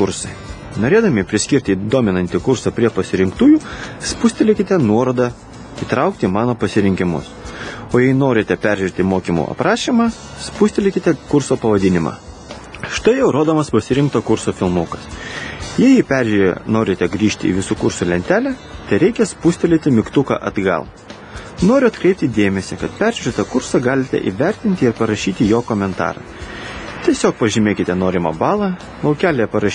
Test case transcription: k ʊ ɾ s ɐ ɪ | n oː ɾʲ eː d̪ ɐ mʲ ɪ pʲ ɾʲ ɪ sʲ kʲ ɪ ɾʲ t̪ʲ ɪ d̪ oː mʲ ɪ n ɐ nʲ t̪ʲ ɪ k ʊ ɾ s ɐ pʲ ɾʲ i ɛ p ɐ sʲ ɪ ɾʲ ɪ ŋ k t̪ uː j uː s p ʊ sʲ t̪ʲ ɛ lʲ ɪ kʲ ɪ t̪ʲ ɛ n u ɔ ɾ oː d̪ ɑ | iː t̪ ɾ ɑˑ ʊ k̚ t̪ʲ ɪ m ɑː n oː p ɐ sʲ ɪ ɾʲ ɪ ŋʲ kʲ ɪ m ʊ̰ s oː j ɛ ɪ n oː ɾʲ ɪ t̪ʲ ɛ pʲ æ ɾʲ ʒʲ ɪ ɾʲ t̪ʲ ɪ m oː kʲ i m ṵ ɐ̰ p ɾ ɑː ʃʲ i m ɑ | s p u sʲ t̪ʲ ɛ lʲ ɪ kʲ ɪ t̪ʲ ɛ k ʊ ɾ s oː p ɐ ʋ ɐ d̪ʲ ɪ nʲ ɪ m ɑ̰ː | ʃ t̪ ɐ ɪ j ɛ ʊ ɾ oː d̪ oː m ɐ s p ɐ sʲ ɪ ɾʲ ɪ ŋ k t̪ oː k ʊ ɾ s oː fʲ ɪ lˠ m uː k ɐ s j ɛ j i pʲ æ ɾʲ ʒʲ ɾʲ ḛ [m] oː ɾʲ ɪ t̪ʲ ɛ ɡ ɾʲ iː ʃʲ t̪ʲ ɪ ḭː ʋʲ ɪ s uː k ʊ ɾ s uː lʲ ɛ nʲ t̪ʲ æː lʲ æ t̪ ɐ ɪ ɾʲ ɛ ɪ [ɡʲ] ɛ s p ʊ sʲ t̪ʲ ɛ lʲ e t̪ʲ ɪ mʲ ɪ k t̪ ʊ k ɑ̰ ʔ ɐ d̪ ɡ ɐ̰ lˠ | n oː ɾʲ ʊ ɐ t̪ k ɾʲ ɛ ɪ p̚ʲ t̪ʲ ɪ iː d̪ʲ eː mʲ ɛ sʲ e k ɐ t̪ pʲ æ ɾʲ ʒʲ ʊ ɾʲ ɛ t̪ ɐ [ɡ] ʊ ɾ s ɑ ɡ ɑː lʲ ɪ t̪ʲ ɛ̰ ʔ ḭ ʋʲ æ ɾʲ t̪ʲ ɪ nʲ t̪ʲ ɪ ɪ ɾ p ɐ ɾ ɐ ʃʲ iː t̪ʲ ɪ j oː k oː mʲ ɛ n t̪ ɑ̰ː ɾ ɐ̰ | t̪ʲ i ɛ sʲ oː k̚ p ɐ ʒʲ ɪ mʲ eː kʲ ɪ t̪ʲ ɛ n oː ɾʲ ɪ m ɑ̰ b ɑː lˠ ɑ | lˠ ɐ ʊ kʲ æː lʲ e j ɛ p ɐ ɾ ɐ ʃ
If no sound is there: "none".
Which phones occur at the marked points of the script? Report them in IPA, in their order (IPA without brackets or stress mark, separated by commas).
n, kʲ, k